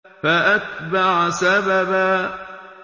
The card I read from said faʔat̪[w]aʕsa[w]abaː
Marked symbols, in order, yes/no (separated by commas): no, no